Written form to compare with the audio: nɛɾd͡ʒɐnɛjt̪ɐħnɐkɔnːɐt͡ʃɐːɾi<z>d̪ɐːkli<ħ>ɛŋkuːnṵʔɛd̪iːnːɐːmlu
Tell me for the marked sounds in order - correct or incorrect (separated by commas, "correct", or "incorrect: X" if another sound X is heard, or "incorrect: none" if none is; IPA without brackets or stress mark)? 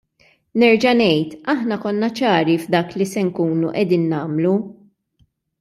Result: incorrect: v, incorrect: s